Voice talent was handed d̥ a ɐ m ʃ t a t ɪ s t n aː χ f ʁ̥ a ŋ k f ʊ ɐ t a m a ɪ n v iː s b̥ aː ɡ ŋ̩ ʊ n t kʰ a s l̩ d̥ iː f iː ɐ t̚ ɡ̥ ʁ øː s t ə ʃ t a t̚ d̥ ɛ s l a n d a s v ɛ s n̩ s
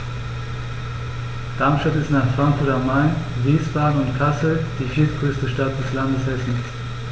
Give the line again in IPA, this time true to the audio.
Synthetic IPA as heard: d̥ a ɐ m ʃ t a t ɪ s t n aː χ f ʁ̥ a ŋ k f ʊ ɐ t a m a ɪ n v iː s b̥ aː ɡ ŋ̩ ʊ n t kʰ a s l̩ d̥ iː f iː ɐ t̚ ɡ̥ ʁ øː s t ə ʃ t a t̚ d̥ ɛ s l a n d ə s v ɛ s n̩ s